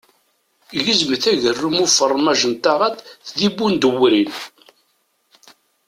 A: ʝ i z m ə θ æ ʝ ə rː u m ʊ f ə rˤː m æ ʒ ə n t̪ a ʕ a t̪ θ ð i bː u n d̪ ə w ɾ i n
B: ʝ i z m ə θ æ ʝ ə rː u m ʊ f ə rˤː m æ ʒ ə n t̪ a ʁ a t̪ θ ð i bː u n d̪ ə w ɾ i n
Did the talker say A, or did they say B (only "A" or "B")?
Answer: B